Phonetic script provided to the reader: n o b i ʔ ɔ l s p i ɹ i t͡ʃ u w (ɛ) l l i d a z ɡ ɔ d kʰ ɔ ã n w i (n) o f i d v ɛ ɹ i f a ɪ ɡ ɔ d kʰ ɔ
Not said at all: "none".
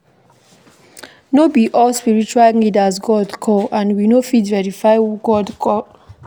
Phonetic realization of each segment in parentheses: a, n

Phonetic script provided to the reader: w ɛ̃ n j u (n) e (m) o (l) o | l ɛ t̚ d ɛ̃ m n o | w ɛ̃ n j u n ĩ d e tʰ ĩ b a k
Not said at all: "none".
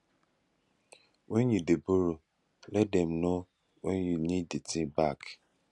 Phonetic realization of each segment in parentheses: d, b, ɾ

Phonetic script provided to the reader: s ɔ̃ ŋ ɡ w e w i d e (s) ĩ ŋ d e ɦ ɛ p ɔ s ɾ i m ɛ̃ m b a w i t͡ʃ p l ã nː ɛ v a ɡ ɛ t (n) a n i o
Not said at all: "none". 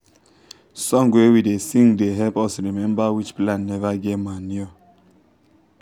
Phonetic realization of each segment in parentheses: s, m

